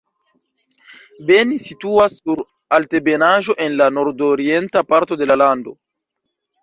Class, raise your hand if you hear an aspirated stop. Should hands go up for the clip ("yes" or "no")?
no